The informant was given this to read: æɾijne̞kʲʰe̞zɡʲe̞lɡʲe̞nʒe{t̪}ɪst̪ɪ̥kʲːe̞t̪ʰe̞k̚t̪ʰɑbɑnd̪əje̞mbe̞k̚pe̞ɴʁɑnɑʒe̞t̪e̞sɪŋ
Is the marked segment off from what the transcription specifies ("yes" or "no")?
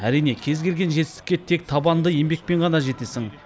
no